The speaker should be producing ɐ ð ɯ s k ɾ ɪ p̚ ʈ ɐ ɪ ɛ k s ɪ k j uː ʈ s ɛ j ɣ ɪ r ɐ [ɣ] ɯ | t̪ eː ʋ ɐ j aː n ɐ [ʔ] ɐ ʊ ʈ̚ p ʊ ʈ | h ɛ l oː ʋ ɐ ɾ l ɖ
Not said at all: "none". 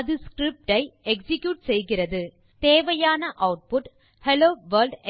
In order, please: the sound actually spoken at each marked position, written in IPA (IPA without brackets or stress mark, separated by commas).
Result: ð, ʔ